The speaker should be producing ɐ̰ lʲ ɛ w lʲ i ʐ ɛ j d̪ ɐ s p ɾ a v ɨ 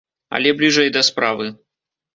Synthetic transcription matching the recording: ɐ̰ lʲ ɛ b lʲ i ʐ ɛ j d̪ ɐ s p ɾ a v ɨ